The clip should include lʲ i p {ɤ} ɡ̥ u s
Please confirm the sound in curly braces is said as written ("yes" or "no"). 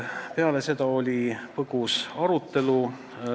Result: yes